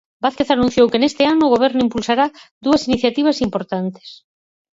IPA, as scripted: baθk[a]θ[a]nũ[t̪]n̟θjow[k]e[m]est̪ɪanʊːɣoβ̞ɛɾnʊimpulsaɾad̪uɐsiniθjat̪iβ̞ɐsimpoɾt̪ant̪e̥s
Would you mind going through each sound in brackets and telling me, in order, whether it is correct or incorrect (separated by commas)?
incorrect, correct, incorrect, correct, incorrect